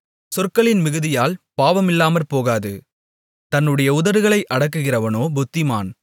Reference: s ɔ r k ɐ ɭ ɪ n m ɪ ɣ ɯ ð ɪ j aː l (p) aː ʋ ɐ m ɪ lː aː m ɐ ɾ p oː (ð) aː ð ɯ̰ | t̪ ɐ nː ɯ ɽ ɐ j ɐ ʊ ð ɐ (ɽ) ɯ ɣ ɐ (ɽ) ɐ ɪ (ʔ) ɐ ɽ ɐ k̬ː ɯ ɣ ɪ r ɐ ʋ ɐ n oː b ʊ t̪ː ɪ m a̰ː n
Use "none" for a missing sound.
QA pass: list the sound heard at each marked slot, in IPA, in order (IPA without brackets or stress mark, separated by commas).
p, ɣ, ɾ, ɭ, ʔ